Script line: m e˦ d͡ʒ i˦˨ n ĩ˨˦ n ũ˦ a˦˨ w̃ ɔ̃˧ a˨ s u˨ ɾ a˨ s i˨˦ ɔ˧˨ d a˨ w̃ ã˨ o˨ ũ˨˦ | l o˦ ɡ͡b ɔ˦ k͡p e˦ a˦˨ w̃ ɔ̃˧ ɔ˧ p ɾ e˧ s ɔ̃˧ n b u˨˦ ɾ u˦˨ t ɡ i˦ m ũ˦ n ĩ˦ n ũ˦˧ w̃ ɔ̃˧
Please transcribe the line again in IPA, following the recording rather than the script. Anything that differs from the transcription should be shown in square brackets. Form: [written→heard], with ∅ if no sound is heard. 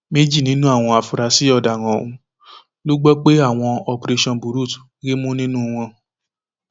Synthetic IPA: m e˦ d͡ʒ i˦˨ n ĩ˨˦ n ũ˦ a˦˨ w̃ ɔ̃˧ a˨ [s→f] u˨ ɾ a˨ s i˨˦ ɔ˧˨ d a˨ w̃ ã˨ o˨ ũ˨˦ | l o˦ ɡ͡b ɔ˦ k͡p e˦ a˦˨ w̃ ɔ̃˧ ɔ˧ p ɾ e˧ [s→ʃ] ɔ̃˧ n b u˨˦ ɾ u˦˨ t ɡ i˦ m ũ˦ n ĩ˦ n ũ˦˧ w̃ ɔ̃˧